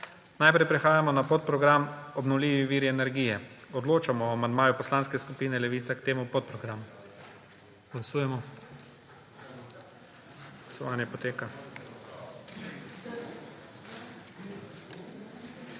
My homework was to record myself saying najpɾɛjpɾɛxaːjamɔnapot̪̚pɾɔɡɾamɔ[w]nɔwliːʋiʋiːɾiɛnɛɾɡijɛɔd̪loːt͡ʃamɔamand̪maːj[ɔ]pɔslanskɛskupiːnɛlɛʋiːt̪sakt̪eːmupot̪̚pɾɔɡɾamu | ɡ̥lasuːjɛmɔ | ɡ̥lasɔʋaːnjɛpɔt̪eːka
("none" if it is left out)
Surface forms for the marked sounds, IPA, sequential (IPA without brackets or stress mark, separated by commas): b, u